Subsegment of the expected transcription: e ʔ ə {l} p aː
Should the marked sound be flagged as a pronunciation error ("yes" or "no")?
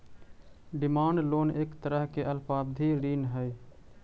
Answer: no